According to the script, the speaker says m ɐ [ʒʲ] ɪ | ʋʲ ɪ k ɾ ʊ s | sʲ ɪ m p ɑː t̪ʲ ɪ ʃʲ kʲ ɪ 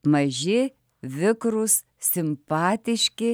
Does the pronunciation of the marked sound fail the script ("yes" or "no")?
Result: no